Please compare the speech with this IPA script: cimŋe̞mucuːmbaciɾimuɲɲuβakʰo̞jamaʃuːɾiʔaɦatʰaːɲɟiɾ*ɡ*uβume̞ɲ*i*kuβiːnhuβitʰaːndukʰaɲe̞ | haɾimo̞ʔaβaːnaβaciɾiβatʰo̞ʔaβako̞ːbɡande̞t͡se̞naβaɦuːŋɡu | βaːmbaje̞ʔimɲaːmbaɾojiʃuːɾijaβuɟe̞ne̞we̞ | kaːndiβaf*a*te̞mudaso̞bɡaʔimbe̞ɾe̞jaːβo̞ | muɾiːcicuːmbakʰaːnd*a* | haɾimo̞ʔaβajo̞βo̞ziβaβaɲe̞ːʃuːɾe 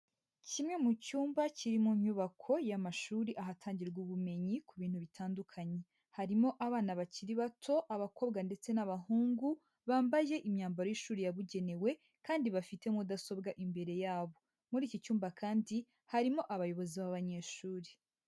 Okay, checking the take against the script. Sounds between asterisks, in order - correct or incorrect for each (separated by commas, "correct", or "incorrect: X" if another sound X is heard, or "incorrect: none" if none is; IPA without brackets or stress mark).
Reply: correct, correct, incorrect: i, incorrect: i